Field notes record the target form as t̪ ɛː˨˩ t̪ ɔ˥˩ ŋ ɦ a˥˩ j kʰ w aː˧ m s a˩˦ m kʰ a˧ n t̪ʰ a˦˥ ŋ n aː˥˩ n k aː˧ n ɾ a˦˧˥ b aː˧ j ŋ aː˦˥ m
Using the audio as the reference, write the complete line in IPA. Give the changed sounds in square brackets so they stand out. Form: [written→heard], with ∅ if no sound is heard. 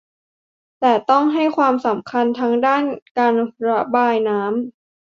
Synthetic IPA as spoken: t̪ ɛː˨˩ t̪ ɔ˥˩ ŋ ɦ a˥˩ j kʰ w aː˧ m s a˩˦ m kʰ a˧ n t̪ʰ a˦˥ ŋ [n→d] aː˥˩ n k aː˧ n ɾ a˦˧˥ b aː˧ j [ŋ→n] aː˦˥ m